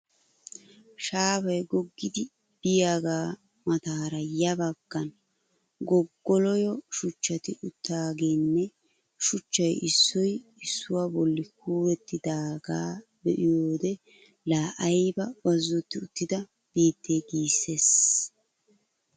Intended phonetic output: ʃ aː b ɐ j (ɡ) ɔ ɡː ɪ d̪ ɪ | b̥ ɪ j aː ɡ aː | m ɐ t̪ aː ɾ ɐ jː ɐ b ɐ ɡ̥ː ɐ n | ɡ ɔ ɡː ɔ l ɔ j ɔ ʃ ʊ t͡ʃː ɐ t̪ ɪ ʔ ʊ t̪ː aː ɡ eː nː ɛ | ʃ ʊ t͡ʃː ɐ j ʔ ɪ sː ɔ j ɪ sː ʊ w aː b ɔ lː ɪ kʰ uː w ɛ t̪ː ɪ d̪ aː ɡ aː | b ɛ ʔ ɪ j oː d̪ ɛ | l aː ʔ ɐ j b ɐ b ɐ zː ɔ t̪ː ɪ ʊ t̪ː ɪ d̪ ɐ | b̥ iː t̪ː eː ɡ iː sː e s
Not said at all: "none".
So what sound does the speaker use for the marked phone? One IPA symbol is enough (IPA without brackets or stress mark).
ɡ